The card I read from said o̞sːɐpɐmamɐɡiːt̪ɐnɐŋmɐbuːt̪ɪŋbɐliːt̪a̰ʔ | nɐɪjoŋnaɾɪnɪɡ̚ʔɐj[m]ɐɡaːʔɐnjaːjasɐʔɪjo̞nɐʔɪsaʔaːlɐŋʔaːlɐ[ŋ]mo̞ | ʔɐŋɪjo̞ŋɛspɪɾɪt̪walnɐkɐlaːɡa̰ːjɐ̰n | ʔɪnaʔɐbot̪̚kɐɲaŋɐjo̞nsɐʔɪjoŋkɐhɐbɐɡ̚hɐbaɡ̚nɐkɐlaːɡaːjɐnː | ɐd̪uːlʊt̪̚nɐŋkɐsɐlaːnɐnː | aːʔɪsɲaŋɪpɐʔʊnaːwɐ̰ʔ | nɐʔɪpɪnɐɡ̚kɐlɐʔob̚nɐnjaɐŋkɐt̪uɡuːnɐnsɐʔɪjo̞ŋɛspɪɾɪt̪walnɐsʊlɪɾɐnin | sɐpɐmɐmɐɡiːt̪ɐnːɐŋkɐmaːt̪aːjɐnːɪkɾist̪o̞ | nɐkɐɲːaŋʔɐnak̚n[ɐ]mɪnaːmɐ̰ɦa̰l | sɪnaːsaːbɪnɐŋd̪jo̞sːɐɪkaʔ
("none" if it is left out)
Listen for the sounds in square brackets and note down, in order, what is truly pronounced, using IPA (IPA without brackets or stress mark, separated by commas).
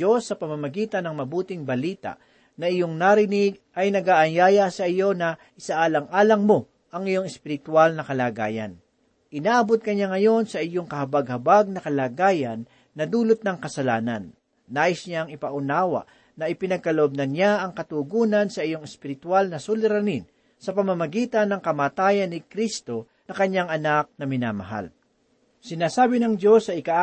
n, ŋ, ɐ